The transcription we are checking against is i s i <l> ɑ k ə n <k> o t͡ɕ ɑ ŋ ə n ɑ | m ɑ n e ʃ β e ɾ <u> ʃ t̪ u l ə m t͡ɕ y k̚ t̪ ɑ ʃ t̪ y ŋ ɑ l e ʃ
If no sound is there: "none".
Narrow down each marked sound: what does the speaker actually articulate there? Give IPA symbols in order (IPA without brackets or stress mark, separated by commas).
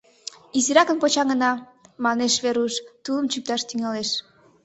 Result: ɾ, p, u